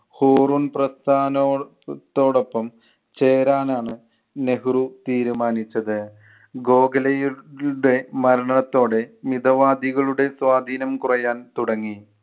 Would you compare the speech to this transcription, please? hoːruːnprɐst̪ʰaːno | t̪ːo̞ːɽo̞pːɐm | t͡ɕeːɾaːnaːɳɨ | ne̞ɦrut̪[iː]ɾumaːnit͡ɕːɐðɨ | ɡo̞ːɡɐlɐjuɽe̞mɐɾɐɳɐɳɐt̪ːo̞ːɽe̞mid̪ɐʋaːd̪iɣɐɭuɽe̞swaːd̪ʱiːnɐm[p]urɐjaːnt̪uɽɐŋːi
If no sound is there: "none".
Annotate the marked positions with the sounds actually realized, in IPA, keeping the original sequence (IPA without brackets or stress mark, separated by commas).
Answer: iː, k